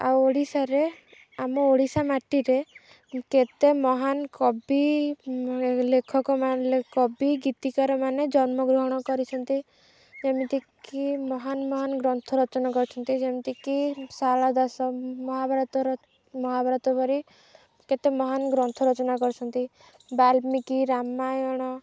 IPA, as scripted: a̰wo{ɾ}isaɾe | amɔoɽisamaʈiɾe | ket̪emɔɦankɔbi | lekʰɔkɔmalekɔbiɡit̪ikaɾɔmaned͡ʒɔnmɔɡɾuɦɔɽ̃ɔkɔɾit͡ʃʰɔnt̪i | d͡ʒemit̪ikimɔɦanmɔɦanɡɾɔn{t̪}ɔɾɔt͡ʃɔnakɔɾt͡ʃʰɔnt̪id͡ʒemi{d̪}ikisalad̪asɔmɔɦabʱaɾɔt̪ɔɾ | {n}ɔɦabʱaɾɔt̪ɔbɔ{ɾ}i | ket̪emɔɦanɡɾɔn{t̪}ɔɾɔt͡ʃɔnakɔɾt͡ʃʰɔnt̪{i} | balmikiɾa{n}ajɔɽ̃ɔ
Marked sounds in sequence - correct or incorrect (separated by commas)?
incorrect, incorrect, incorrect, incorrect, correct, incorrect, correct, incorrect